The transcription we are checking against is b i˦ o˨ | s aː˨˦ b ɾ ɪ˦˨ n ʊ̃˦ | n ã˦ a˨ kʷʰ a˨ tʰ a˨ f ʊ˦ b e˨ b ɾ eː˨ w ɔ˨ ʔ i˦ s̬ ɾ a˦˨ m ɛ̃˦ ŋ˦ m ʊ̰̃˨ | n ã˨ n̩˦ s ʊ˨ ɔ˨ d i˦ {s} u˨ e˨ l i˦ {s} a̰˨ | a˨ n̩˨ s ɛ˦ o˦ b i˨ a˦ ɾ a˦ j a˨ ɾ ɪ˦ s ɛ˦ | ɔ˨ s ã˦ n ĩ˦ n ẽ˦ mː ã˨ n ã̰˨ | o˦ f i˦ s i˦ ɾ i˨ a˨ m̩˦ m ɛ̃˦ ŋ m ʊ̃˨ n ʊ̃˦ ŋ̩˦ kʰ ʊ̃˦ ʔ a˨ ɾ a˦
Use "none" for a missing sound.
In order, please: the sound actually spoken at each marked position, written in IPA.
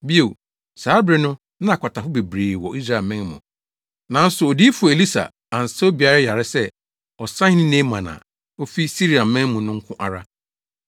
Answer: f, s

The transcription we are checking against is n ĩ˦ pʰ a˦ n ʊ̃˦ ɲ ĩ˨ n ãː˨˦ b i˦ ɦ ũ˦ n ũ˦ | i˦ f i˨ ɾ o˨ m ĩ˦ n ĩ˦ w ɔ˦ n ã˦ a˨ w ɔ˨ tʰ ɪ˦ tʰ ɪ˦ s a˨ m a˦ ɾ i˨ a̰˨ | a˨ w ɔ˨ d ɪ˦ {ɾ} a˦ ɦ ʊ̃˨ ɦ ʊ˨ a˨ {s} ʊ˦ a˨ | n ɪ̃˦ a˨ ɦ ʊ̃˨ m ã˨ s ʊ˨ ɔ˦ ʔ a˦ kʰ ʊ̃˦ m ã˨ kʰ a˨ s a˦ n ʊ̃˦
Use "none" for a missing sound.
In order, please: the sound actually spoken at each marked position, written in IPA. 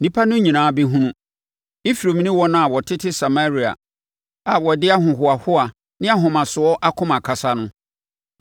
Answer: none, h

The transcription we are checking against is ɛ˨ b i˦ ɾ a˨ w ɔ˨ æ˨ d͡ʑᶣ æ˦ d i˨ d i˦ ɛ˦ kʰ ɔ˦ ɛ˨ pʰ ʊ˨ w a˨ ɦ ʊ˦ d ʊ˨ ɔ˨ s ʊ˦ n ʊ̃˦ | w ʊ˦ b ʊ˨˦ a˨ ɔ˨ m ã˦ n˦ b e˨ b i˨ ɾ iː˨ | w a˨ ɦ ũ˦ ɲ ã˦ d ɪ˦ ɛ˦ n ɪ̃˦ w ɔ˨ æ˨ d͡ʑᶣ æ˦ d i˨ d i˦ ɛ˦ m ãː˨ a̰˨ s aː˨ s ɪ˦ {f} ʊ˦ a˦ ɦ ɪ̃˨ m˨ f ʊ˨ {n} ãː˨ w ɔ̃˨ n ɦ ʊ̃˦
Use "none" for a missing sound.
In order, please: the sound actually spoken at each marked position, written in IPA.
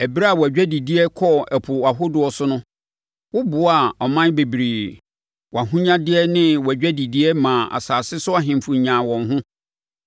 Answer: s, ɲ

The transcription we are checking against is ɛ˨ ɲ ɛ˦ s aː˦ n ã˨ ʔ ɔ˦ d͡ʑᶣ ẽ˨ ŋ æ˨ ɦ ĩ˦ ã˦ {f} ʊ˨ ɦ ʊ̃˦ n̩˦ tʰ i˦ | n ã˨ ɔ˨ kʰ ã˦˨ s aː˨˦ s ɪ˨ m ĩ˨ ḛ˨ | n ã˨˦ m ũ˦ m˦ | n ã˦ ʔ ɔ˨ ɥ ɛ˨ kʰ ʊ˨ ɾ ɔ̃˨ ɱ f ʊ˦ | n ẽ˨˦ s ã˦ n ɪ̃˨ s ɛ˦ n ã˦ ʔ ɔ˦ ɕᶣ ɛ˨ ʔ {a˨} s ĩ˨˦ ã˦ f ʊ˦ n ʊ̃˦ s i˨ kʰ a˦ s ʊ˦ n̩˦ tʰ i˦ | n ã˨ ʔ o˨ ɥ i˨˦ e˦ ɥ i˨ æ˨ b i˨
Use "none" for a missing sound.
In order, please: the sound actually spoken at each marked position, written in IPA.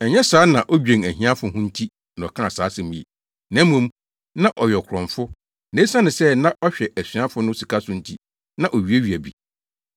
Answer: f, æ˨

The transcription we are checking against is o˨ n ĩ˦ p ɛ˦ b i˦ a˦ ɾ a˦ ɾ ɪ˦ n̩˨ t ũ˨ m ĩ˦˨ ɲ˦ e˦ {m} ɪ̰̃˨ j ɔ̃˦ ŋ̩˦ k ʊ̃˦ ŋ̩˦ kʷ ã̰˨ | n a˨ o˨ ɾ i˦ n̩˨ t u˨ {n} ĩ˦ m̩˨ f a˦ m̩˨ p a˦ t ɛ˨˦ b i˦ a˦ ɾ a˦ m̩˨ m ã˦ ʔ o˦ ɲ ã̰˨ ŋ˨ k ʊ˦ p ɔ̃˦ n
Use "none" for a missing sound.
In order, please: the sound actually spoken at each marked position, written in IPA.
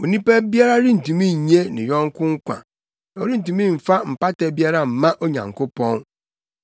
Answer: n, m

